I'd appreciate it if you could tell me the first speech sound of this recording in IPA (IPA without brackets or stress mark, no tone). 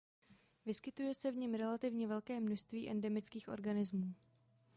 v